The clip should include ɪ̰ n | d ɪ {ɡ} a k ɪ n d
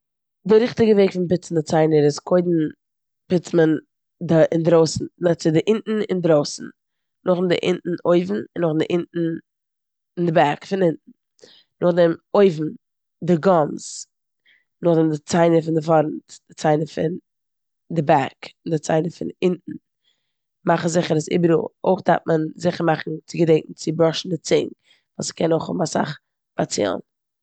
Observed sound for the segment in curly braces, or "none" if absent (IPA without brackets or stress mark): b